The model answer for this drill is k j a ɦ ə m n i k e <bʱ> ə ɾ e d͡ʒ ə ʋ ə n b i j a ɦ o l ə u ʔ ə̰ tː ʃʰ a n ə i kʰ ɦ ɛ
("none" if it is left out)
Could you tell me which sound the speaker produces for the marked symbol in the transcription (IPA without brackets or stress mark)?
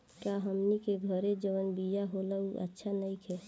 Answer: ɡʱ